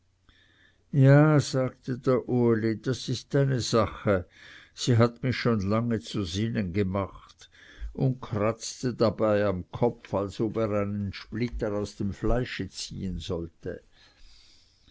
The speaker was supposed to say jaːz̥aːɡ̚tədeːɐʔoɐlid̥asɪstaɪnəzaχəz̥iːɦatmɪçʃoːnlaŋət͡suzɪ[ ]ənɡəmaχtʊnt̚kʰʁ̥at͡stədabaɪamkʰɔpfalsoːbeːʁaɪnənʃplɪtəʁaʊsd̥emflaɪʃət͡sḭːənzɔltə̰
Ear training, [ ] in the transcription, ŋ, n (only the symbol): n